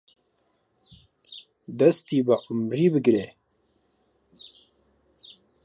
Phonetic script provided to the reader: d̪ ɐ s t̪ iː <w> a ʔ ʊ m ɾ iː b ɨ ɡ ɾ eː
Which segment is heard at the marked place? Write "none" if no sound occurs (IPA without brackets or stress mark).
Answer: b